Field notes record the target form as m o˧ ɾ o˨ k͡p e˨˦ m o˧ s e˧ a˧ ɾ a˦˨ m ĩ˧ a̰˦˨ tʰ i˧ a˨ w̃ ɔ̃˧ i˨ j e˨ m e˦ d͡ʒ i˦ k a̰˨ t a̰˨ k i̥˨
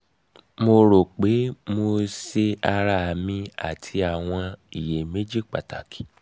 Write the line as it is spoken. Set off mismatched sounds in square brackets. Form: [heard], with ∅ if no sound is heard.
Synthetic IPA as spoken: m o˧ ɾ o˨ k͡p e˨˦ m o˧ s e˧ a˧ ɾ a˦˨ m ĩ˧ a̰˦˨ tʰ i˧ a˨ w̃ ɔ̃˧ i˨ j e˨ m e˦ d͡ʒ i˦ [k͡p] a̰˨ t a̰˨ k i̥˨

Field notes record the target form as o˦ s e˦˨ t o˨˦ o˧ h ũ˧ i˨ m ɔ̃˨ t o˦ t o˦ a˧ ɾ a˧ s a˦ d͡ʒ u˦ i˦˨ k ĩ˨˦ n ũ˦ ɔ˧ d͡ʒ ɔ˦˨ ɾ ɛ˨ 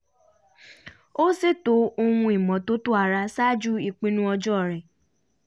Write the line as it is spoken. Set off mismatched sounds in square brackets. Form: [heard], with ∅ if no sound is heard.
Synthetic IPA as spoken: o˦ s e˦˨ t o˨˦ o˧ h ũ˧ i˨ m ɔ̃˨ t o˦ t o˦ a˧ ɾ a˧ s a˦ d͡ʒ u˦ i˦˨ [k͡p] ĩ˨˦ n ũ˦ ɔ˧ d͡ʒ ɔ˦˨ ɾ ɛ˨

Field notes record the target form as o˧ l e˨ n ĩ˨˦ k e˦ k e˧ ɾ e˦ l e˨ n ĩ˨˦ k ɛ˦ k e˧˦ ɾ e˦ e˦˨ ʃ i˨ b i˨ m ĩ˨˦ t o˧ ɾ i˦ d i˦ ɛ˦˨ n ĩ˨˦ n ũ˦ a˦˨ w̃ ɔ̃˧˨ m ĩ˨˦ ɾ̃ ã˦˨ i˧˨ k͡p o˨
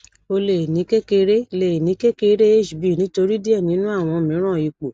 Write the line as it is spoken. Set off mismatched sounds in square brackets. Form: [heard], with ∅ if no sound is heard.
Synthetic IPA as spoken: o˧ l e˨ n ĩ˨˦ k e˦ k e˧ ɾ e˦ l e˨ n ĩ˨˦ k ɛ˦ k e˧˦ ɾ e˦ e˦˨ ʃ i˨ b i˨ [n] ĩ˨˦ t o˧ ɾ i˦ d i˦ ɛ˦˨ n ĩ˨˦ n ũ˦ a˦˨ w̃ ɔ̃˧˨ m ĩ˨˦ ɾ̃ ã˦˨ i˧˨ k͡p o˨

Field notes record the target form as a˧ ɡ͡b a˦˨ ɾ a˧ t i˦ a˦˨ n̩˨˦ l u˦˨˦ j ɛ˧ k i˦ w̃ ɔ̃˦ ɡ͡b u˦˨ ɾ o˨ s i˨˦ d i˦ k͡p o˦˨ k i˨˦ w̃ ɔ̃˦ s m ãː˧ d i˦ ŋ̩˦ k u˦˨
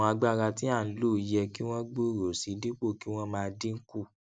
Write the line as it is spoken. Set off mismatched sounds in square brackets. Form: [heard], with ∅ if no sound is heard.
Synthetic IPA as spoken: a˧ ɡ͡b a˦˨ ɾ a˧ t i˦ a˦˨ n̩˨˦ l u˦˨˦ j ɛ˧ k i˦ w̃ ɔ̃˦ ɡ͡b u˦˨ ɾ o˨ s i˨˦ d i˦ k͡p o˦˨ k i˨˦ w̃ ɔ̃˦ [∅] m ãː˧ d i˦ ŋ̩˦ k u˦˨

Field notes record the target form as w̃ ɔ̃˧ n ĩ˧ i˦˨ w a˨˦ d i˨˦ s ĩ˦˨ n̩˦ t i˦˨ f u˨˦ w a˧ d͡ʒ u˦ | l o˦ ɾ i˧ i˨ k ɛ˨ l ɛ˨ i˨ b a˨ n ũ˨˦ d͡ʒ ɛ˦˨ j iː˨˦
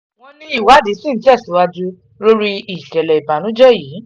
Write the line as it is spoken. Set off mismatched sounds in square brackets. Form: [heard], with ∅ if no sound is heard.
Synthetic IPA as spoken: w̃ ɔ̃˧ n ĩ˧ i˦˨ w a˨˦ d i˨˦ s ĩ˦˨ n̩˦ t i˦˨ [s] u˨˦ w a˧ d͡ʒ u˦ | l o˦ ɾ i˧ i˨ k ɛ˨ l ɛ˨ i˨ b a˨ n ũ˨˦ d͡ʒ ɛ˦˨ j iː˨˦

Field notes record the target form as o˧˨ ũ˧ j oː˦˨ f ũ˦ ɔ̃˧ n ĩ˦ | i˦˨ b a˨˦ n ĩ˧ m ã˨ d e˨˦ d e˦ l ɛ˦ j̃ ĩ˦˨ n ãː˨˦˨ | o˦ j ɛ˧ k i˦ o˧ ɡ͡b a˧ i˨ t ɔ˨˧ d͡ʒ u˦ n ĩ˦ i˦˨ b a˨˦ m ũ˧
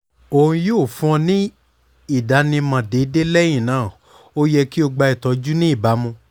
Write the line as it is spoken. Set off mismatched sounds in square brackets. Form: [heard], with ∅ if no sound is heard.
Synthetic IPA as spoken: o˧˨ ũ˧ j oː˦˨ f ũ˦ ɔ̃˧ n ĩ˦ | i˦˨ [d] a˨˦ n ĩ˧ m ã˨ d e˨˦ d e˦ l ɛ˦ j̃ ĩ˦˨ n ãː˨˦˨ | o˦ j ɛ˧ k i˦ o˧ ɡ͡b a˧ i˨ t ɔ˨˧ d͡ʒ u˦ n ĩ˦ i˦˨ b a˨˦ m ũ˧

